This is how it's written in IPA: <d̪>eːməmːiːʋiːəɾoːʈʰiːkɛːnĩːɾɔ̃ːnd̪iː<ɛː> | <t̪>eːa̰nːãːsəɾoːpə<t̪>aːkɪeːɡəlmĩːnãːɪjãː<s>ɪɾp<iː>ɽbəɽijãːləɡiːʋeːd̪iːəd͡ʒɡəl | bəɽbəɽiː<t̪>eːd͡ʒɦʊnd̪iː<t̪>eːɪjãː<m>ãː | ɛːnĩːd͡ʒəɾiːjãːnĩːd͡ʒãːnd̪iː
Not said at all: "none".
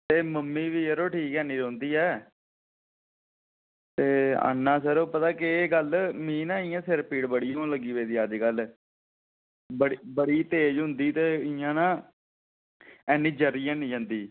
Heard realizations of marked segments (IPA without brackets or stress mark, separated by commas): t̪, ɛː, t̪, t̪, s, iː, t̪, t̪, n